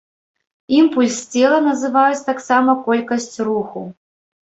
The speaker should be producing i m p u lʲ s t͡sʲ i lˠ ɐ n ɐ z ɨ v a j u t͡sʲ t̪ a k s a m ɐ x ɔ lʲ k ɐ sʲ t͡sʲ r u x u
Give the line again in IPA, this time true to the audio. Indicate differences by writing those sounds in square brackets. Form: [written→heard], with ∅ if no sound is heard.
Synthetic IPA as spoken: i m p u lʲ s t͡sʲ [i→ɛ] lˠ ɐ n ɐ z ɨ v a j u t͡sʲ t̪ a k s a m ɐ [x→k] ɔ lʲ k ɐ sʲ t͡sʲ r u x u